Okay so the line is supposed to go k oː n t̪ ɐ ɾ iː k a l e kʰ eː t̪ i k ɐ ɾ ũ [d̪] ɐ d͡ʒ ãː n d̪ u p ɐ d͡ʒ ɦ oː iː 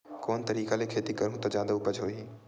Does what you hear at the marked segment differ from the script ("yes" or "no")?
yes